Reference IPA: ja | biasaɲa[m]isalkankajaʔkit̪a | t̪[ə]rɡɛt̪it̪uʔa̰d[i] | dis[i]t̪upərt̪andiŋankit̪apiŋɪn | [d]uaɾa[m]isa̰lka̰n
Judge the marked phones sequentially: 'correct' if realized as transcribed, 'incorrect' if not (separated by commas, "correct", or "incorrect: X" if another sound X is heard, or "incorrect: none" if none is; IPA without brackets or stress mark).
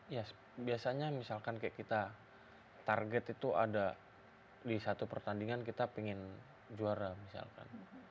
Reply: correct, incorrect: a, incorrect: a, incorrect: a, incorrect: d͡ʒ, correct